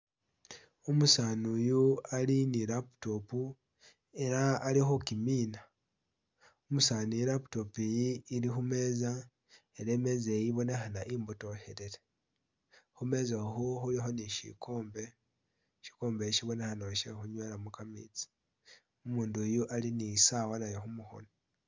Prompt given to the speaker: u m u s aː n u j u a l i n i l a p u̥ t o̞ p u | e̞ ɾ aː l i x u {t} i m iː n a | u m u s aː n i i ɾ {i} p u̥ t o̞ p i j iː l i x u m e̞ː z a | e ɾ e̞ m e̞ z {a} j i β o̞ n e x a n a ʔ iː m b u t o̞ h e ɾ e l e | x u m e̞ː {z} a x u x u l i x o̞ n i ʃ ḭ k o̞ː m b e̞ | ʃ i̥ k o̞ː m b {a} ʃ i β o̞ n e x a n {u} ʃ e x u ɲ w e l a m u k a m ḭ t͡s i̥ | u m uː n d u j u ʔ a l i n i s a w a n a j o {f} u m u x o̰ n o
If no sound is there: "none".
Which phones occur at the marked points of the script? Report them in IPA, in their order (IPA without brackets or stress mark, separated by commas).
k, a, e, z, e, o, x